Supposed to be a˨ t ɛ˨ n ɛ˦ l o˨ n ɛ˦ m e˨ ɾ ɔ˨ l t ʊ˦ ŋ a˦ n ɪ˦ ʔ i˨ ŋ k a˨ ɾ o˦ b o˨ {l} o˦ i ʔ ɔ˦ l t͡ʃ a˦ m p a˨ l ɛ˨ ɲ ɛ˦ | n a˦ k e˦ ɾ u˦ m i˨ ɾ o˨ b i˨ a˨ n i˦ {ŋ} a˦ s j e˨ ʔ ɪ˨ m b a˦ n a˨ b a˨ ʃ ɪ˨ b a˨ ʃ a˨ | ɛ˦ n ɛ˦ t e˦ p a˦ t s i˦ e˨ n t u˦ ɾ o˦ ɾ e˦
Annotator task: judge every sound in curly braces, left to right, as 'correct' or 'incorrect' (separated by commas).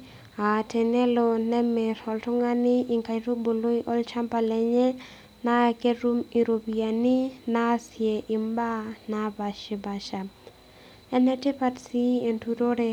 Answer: correct, incorrect